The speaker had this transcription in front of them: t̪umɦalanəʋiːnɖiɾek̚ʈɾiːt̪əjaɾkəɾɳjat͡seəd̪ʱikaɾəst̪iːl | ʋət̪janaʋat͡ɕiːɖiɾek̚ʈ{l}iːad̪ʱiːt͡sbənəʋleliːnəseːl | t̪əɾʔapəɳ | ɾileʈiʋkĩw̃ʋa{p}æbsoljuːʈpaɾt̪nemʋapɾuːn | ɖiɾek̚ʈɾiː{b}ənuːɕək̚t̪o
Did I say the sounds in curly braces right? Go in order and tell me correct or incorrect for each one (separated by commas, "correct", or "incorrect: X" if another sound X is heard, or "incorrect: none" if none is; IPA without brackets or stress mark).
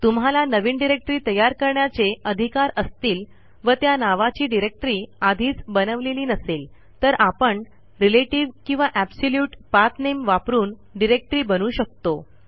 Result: incorrect: ɾ, incorrect: ʔ, correct